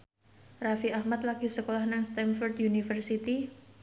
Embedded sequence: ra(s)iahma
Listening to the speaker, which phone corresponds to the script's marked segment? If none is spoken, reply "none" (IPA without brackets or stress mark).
f